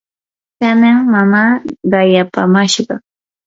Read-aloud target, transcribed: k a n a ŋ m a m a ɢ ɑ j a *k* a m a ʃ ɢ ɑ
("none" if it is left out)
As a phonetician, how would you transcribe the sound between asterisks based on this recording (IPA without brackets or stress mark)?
p